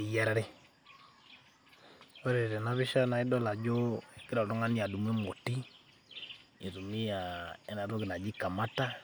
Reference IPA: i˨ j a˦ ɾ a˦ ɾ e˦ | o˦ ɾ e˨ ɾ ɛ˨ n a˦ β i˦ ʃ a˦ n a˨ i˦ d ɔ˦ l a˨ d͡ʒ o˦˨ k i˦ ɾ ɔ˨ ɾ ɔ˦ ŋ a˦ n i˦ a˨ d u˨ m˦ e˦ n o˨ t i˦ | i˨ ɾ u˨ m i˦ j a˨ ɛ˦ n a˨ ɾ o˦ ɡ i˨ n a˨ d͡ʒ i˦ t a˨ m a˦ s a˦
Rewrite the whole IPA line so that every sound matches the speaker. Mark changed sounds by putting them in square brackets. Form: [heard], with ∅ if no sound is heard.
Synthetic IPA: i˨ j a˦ ɾ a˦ ɾ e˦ | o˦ ɾ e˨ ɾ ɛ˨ n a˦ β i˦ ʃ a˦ n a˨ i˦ d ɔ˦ l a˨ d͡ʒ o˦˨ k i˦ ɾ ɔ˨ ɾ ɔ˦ ŋ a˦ n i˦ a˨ d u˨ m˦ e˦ [m] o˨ t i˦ | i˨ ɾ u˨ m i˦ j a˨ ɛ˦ n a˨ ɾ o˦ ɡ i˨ n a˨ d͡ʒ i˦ [k] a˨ m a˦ [t] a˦